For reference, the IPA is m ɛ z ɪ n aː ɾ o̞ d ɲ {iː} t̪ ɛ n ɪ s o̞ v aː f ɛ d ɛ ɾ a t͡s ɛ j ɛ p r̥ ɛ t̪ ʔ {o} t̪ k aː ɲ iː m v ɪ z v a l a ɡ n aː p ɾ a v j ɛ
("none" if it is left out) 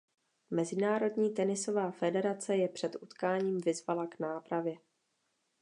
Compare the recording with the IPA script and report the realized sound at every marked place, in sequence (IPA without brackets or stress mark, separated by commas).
iː, u